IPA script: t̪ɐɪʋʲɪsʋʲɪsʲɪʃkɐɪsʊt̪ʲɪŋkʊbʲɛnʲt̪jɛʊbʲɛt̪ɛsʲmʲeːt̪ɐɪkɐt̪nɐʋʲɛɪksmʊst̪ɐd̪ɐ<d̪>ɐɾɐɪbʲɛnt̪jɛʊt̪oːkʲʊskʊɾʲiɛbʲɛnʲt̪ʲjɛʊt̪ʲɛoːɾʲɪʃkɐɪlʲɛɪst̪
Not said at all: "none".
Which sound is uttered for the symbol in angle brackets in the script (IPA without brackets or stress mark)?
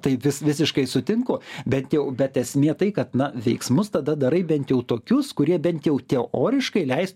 d̪